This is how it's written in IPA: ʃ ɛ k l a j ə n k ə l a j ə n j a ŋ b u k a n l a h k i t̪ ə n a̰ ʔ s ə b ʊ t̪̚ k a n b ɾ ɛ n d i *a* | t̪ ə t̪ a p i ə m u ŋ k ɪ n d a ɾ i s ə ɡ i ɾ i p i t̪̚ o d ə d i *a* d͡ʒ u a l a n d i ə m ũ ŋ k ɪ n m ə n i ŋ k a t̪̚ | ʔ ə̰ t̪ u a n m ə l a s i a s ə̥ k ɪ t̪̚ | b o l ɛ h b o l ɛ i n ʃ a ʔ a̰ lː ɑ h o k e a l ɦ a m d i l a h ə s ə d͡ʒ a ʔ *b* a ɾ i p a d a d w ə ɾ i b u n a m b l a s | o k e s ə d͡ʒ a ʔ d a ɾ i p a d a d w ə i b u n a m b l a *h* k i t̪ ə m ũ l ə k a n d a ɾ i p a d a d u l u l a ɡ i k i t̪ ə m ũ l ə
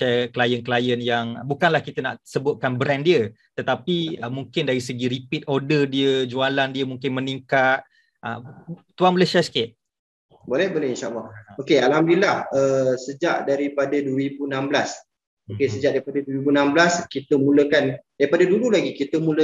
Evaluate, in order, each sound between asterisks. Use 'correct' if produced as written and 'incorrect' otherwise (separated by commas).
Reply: incorrect, incorrect, incorrect, incorrect